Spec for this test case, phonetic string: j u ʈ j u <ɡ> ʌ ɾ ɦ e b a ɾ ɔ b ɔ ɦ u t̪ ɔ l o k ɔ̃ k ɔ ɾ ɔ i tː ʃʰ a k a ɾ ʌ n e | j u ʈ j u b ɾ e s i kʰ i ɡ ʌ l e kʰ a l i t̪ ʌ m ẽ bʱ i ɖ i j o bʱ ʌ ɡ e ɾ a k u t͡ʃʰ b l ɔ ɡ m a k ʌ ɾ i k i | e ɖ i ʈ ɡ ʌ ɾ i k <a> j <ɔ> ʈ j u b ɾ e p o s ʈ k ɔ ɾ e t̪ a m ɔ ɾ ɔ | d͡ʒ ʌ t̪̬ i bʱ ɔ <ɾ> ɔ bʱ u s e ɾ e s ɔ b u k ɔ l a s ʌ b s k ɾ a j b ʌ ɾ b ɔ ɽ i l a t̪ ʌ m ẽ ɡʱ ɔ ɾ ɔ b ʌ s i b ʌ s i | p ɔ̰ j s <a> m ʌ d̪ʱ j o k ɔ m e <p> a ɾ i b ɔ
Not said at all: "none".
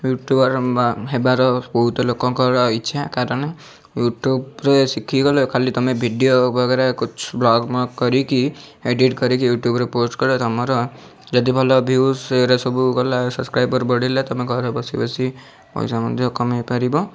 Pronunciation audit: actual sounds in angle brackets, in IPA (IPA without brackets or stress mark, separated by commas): b, i, u, l, a, p